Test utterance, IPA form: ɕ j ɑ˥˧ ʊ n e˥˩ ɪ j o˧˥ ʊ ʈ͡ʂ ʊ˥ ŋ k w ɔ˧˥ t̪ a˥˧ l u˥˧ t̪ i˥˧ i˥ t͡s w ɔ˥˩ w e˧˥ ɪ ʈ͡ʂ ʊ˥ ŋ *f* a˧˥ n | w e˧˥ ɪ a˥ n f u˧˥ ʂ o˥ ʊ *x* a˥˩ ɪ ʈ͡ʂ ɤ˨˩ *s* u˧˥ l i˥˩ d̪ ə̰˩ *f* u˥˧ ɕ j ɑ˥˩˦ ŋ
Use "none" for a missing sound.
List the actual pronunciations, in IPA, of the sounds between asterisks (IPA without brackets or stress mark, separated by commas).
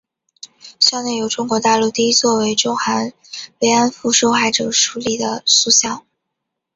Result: x, x, ʂ, s